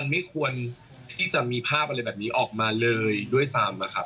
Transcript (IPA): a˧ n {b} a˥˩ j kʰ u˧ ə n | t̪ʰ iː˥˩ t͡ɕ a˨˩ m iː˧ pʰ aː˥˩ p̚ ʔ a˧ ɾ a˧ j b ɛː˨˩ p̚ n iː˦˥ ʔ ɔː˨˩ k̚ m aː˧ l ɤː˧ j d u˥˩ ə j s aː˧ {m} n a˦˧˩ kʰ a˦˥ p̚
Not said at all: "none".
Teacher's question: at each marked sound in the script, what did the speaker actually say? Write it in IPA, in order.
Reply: m, m

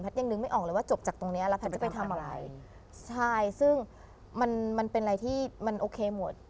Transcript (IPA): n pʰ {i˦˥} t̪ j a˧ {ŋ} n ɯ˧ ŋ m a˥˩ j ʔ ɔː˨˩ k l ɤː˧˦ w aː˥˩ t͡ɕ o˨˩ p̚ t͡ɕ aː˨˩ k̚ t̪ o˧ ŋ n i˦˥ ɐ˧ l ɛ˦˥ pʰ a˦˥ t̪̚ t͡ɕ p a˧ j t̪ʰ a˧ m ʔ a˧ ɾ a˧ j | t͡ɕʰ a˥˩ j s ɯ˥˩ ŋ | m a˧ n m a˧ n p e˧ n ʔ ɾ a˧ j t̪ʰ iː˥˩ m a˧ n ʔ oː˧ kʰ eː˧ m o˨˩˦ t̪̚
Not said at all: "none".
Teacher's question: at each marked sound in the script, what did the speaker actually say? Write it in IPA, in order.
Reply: a˦˥, ŋ

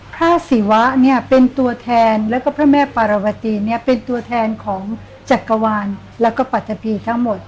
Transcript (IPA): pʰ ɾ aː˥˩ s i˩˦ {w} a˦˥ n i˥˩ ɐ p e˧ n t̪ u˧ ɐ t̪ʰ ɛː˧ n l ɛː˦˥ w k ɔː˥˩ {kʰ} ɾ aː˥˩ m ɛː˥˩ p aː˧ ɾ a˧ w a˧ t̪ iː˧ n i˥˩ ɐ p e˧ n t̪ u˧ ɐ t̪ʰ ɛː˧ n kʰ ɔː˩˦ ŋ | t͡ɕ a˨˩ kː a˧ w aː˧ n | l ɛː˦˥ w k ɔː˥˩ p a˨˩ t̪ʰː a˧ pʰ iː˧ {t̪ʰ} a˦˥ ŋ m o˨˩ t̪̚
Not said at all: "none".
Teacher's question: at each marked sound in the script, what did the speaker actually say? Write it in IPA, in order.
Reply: w, pʰ, t̪ʰ

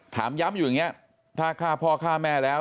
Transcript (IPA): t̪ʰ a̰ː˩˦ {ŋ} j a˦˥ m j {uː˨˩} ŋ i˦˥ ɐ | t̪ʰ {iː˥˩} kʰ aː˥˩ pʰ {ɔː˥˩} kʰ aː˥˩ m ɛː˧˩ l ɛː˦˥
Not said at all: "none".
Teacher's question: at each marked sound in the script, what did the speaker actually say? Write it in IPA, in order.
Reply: m, uː˨˩, aː˥˩, ɔː˧

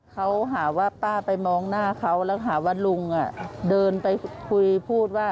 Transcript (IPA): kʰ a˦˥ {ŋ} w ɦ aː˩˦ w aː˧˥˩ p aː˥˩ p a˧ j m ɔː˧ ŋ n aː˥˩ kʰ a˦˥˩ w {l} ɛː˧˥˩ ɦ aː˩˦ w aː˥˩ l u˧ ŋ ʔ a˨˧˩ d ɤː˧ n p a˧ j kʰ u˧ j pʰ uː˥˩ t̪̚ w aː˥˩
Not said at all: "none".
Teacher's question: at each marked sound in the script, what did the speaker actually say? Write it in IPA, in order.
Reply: none, l

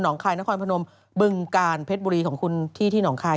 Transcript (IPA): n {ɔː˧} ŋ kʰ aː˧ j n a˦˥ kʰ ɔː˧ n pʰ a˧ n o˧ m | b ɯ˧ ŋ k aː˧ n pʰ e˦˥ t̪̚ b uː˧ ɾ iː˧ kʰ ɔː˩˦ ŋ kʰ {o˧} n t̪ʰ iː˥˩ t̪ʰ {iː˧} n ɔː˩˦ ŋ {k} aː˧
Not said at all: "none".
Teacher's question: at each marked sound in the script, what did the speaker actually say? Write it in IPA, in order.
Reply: ɔː˩˦, u˧, iː˥˩, kʰ

